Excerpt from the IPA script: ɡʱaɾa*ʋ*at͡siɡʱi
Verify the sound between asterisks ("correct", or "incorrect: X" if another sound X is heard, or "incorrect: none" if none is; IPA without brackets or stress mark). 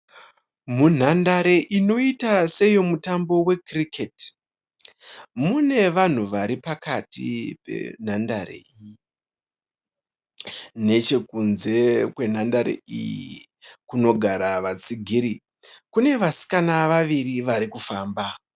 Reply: correct